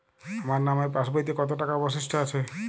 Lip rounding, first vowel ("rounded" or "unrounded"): unrounded